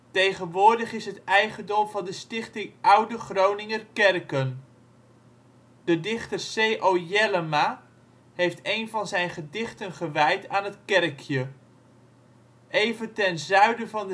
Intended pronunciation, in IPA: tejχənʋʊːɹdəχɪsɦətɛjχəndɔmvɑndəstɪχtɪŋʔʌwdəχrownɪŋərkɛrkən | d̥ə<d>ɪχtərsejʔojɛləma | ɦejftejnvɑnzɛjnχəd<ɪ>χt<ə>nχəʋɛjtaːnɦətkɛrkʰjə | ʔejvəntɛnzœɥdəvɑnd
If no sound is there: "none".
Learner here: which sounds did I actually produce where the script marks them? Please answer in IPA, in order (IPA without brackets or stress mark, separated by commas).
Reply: d, ɪ, ə